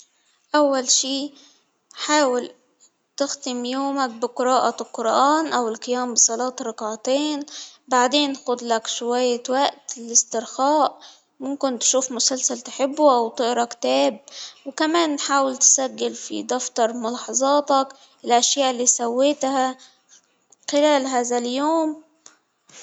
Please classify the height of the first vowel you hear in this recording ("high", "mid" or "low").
low